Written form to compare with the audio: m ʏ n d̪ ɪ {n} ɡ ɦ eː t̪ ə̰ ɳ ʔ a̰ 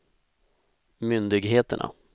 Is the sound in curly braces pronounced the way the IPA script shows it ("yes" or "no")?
no